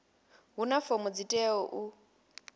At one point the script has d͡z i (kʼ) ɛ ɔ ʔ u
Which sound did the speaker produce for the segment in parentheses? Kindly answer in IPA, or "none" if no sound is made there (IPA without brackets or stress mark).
tʼ